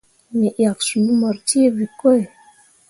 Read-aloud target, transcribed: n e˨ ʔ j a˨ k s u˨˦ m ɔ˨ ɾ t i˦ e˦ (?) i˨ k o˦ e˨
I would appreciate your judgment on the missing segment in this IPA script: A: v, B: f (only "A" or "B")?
A